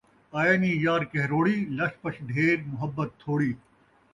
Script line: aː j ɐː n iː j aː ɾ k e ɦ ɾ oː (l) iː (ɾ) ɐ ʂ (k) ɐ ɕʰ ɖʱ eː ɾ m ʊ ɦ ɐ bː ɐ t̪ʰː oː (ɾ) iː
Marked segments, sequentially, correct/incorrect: incorrect: ɽ, incorrect: l, incorrect: p, incorrect: ɽ

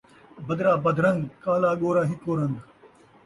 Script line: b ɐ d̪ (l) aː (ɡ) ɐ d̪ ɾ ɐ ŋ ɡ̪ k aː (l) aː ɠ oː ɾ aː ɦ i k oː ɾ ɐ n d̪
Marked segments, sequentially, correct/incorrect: incorrect: ɾ, incorrect: b, correct

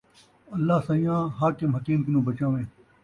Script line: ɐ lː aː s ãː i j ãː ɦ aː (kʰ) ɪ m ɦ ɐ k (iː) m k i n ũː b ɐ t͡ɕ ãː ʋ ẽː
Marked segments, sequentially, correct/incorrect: incorrect: k, correct

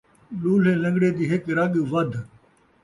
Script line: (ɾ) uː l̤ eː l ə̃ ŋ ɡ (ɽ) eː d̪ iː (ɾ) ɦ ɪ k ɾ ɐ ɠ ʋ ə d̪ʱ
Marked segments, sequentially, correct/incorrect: incorrect: l, correct, incorrect: none

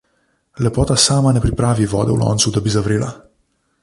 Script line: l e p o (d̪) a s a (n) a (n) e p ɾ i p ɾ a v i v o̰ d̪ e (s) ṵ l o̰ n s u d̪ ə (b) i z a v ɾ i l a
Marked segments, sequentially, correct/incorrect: incorrect: t̪, incorrect: m, correct, incorrect: none, correct

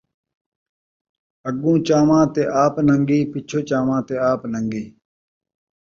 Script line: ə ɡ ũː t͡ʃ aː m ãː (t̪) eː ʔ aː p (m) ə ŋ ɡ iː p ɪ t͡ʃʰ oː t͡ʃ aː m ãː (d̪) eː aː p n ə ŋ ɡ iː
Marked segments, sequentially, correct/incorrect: correct, incorrect: n, incorrect: t̪

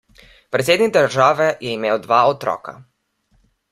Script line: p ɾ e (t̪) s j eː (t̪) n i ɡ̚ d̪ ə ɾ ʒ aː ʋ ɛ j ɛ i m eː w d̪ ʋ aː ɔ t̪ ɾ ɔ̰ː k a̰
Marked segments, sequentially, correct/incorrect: correct, incorrect: d̪

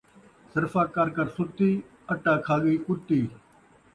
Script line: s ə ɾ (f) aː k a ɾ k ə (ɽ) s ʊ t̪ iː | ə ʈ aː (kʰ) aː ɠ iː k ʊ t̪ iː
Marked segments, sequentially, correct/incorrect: correct, incorrect: ɾ, correct

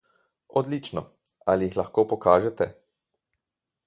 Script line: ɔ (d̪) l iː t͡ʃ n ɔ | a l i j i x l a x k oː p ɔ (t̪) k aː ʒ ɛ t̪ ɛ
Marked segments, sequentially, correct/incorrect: correct, incorrect: none

